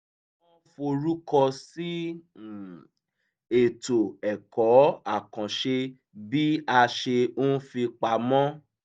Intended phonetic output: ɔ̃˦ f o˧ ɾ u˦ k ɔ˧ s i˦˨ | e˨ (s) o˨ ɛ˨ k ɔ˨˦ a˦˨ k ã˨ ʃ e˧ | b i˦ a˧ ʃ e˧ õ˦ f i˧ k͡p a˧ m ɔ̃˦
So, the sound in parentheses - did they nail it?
no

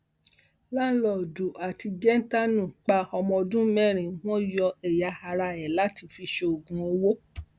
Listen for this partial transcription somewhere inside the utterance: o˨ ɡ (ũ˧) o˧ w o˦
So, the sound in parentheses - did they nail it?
yes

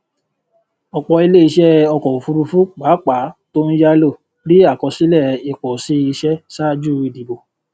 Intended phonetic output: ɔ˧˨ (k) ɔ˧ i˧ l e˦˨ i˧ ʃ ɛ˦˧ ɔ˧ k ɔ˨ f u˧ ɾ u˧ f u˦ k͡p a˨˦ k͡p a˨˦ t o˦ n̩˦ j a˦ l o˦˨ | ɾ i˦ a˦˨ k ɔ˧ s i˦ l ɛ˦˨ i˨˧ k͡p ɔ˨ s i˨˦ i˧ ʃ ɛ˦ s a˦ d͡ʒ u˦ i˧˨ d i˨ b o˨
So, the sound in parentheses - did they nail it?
no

